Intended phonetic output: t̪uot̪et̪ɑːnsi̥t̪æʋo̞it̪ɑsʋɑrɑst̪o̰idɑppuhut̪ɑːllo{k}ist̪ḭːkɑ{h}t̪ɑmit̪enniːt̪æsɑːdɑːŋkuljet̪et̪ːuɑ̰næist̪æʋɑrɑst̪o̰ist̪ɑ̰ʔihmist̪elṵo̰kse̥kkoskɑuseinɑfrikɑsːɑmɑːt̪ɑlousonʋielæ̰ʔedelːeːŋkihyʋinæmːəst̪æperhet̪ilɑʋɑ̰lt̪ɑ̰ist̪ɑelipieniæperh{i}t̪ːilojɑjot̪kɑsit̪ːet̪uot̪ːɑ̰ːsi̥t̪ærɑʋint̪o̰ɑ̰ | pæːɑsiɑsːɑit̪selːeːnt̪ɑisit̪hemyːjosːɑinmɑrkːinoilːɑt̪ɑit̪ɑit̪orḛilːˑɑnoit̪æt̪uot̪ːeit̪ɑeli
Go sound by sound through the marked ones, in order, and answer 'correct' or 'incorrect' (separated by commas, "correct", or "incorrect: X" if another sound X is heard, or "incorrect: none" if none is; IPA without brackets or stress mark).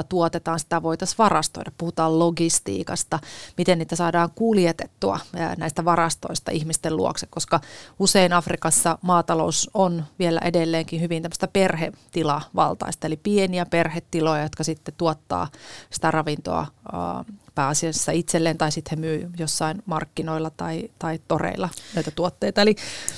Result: incorrect: ɡ, incorrect: s, incorrect: e